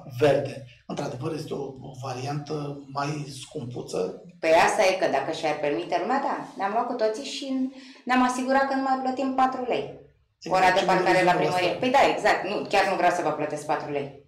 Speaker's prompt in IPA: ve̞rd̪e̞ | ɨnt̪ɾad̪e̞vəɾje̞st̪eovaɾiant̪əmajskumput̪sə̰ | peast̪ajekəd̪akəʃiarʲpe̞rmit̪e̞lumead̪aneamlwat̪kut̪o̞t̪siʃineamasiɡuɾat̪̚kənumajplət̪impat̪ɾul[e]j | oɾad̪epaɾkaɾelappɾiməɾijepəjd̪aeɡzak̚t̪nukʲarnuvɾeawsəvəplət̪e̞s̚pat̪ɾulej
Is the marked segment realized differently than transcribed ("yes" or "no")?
no